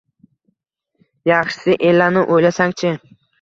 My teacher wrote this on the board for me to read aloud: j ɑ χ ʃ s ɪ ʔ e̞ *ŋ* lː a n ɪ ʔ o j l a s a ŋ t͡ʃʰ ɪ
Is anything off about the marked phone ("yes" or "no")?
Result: yes